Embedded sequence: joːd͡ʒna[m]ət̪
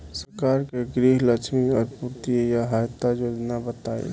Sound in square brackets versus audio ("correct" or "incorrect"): incorrect